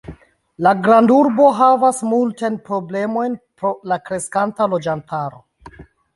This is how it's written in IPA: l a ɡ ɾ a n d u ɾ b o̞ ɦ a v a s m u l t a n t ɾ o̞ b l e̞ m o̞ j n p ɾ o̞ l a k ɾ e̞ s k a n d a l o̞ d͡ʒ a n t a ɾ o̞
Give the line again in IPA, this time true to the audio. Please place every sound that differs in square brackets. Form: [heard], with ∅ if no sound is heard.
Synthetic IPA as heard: l a ɡ ɾ a n d u ɾ b o̞ ɦ a v a s m u l t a n [p] ɾ o̞ b l e̞ m o̞ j n p ɾ o̞ l a k ɾ e̞ s k a n [t] a l o̞ d͡ʒ a n t a ɾ o̞